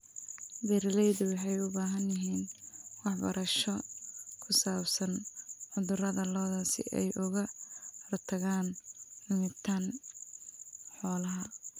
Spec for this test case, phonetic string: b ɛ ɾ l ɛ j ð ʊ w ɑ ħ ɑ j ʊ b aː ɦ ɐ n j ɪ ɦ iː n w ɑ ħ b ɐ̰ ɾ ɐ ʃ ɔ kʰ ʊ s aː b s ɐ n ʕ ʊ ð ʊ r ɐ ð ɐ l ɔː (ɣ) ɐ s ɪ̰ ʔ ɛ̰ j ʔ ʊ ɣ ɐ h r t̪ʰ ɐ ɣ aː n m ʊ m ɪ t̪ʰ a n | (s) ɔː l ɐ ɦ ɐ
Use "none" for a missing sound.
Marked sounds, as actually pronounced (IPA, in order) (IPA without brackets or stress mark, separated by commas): ð, ħ